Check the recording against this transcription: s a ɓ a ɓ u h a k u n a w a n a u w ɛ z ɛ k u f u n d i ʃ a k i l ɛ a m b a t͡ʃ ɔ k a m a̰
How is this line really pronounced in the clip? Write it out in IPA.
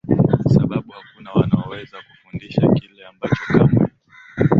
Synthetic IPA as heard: s a ɓ a ɓ u h a k u n a w a n a ɔ w ɛ z a k u f u n d i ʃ a k i l ɛ a m b a t͡ʃ ɔ k a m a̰